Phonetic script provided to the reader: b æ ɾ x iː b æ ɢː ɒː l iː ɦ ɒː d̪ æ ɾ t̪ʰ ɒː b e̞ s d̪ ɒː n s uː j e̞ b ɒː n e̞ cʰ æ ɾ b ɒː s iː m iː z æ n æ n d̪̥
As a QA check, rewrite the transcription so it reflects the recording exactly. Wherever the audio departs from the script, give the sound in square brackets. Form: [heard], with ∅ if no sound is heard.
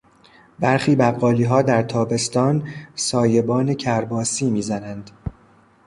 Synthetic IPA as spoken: b æ ɾ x iː b æ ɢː ɒː l iː ɦ ɒː d̪ æ ɾ t̪ʰ ɒː b e̞ s [t̪] ɒː n s [ɒː] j e̞ b ɒː n e̞ cʰ æ ɾ b ɒː s iː m iː z æ n æ n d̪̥